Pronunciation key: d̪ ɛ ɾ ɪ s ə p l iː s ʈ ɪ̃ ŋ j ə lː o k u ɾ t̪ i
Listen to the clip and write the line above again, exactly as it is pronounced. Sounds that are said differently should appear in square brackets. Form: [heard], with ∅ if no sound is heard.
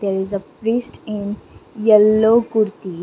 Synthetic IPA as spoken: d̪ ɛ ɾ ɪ [z] ə p [ɾ] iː s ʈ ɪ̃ [n] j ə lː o k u ɾ t̪ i